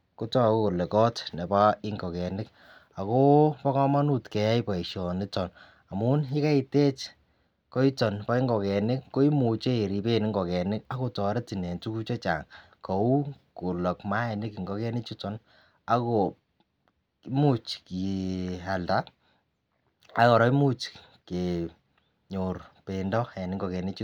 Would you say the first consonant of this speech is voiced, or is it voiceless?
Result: voiceless